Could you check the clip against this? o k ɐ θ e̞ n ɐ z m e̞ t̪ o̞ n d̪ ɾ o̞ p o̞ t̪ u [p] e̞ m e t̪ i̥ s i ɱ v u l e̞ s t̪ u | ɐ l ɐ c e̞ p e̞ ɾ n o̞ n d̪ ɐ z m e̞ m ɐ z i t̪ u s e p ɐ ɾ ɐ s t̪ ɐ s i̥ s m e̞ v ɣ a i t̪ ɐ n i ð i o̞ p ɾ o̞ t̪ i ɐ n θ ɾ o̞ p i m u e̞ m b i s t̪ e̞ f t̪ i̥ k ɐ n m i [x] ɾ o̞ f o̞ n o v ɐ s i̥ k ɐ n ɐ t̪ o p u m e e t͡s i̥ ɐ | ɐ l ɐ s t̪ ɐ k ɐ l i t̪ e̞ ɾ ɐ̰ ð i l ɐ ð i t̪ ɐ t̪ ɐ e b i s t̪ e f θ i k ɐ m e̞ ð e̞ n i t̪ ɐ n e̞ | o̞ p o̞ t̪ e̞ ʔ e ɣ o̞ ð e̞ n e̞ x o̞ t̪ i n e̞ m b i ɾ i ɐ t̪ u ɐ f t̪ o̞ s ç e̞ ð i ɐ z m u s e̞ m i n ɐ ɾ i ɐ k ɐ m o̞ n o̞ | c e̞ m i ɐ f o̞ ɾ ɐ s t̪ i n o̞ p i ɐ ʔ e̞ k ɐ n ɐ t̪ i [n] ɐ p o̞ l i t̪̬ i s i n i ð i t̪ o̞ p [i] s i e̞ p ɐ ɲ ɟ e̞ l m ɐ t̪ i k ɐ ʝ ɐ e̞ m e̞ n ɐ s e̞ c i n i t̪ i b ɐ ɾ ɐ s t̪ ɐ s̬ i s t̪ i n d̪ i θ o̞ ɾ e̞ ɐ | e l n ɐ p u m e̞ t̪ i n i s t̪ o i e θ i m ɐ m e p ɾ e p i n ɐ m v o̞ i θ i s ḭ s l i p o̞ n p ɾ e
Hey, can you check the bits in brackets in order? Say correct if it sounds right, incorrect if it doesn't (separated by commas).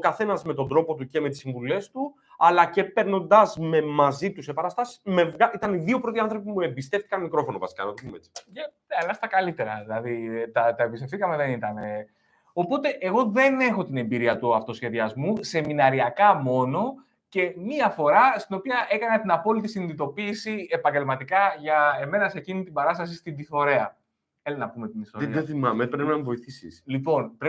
incorrect, incorrect, correct, incorrect